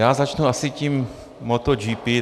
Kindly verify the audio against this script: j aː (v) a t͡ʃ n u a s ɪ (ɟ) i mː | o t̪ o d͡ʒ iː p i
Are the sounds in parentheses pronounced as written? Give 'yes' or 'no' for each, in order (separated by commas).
no, no